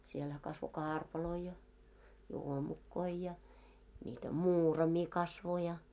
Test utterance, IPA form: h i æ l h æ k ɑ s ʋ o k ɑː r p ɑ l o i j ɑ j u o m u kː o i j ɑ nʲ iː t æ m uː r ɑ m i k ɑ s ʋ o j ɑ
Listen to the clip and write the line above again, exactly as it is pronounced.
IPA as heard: s i e l h æ k ɑ s ʋ o k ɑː r p ɑ l o i j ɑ j u o m u kː o i j ɑ nʲ iː t æ m uː r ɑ m i k ɑ s ʋ o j ɑ